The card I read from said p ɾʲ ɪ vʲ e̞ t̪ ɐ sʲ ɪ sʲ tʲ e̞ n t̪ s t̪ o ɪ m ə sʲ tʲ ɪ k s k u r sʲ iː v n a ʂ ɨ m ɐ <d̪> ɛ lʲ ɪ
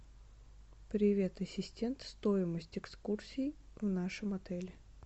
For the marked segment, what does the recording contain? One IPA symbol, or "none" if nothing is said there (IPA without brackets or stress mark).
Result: t̪